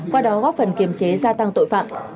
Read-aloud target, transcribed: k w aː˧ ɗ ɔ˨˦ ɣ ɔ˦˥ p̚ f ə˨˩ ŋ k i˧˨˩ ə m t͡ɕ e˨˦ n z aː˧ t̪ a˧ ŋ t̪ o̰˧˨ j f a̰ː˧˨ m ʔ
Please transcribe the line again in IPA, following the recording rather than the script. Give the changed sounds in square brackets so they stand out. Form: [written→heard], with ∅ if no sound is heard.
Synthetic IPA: k w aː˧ ɗ ɔ˨˦ ɣ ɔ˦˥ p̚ f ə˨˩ [ŋ→n] k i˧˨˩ ə m t͡ɕ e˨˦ [n→∅] z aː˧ t̪ a˧ ŋ t̪ o̰˧˨ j f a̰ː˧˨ m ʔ

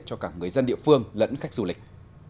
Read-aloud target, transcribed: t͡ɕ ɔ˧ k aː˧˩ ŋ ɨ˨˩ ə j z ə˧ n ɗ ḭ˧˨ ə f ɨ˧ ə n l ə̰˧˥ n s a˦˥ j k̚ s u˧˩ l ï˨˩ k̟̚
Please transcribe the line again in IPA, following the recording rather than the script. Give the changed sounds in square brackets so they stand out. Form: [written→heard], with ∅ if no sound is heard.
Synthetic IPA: t͡ɕ ɔ˧ k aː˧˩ ŋ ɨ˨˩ ə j z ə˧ n ɗ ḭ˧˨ ə f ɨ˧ ə [n→ŋ] l ə̰˧˥ n [s→x] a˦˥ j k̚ [s→z] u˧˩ l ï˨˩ k̟̚

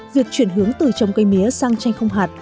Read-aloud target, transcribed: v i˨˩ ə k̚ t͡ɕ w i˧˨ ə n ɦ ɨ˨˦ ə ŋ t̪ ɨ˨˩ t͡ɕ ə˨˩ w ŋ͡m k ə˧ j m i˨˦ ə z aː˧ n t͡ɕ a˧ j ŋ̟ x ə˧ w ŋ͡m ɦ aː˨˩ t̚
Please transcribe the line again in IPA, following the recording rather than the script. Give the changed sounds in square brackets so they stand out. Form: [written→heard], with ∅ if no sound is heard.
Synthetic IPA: v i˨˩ ə k̚ t͡ɕ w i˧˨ ə n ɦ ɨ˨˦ ə ŋ t̪ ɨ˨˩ t͡ɕ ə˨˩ w ŋ͡m k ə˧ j m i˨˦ ə [z→s] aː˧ [n→ŋ] t͡ɕ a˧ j ŋ̟ x ə˧ w ŋ͡m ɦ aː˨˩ t̚

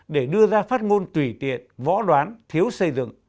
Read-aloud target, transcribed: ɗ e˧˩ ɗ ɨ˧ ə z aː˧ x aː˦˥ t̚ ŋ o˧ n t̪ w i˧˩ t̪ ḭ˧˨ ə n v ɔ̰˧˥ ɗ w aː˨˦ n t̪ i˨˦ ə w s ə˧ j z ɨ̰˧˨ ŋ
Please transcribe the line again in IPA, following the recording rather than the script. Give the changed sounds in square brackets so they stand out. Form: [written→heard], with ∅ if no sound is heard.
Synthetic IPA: ɗ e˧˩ ɗ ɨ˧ ə z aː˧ [x→f] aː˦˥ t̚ ŋ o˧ n t̪ w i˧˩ t̪ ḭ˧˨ ə n v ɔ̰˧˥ ɗ w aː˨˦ n [t̪→t̪ʰ] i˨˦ ə w s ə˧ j z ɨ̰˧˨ ŋ

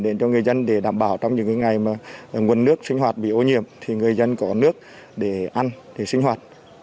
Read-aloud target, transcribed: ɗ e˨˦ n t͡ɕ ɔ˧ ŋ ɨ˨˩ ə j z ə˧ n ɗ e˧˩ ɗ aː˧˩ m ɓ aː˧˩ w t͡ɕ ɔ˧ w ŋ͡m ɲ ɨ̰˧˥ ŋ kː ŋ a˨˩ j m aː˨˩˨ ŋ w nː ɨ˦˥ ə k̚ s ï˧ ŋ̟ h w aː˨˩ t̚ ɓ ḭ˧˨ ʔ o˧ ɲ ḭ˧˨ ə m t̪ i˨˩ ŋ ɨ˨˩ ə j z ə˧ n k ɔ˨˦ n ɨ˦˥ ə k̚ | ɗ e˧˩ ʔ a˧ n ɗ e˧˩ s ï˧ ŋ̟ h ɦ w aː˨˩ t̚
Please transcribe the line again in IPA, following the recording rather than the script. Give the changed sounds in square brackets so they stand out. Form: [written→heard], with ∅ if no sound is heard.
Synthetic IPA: ɗ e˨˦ n t͡ɕ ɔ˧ ŋ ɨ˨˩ ə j z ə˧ n ɗ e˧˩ ɗ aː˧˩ m ɓ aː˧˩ w t͡ɕ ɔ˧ w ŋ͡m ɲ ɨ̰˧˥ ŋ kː ŋ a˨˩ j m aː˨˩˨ ŋ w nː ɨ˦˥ ə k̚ s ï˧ ŋ̟ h w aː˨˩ t̚ ɓ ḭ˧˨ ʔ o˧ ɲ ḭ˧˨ ə m [t̪→t̪ʰ] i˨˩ ŋ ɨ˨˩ ə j z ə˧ n k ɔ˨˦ n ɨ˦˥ ə k̚ | ɗ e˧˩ ʔ a˧ n ɗ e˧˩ s ï˧ ŋ̟ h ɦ w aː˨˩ t̚

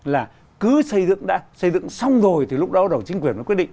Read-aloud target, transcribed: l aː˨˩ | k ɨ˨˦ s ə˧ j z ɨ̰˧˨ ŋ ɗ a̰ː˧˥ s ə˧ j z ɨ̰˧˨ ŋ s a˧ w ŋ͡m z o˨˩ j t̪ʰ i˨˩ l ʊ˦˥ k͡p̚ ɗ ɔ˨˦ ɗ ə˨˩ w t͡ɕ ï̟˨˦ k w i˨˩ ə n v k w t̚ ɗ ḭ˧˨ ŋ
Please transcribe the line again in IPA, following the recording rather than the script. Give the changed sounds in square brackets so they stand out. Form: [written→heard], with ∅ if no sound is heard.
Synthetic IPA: l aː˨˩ | k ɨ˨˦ s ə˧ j z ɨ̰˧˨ ŋ ɗ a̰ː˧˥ s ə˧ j z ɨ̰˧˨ ŋ s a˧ w ŋ͡m z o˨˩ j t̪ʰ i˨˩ l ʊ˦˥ k͡p̚ ɗ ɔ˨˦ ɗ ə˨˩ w t͡ɕ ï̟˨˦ k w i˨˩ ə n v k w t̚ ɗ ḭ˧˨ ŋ

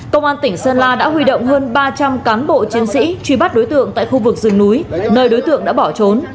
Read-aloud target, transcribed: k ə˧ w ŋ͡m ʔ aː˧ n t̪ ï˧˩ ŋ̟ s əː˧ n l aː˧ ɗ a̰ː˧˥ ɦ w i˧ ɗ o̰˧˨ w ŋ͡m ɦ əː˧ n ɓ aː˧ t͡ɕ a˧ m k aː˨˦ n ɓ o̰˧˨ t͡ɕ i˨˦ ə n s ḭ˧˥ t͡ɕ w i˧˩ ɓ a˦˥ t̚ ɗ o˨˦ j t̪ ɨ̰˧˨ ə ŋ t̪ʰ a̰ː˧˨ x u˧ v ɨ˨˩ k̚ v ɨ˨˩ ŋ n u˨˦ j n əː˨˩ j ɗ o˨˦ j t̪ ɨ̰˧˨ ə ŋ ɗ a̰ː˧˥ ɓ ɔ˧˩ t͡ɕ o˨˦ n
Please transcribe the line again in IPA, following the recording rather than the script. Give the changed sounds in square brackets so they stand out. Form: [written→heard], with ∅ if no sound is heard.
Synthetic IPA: k ə˧ w ŋ͡m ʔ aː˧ n t̪ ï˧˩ ŋ̟ s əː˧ n l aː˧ ɗ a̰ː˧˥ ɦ w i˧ ɗ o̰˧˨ w ŋ͡m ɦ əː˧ n ɓ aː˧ t͡ɕ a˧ m k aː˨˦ n ɓ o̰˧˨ t͡ɕ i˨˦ ə n s ḭ˧˥ t͡ɕ w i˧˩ ɓ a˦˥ t̚ ɗ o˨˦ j t̪ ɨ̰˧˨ ə ŋ [t̪ʰ→t̪] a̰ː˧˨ x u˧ v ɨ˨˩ k̚ [v→z] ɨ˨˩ ŋ n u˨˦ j n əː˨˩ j ɗ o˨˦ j t̪ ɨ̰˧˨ ə ŋ ɗ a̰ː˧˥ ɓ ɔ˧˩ t͡ɕ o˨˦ n

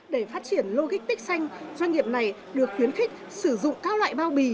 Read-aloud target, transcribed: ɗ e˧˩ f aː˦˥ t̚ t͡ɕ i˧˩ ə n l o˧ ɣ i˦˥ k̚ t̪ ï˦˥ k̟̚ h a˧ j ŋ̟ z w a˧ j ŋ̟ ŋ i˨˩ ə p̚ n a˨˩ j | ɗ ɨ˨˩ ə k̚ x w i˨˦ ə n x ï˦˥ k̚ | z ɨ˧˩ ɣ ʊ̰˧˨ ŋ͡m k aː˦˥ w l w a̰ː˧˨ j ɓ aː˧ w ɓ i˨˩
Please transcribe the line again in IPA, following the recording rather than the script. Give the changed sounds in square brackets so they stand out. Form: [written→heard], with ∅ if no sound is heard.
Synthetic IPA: ɗ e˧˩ f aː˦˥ t̚ t͡ɕ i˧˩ ə n l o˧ ɣ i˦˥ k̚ t̪ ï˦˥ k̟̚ [h→s] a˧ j ŋ̟ z w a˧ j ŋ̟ ŋ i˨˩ ə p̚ n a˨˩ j | ɗ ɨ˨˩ ə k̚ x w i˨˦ ə n x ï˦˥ k̚ | [z→s] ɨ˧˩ [ɣ→z] ʊ̰˧˨ ŋ͡m k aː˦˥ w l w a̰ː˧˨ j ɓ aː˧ w ɓ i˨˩

